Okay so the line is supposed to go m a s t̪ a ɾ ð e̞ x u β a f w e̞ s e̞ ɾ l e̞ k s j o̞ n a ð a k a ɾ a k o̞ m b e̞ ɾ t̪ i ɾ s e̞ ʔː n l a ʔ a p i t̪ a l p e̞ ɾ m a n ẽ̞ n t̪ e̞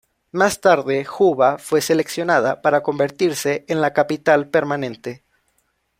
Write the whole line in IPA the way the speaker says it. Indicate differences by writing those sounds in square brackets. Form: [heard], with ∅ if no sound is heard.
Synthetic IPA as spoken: m a s t̪ a ɾ ð e̞ x u β a f w e̞ s e̞ [∅] l e̞ k s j o̞ n a ð a [p] a ɾ a k o̞ m b e̞ ɾ t̪ i ɾ s e̞ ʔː n l a [k] a p i t̪ a l p e̞ ɾ m a n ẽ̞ n t̪ e̞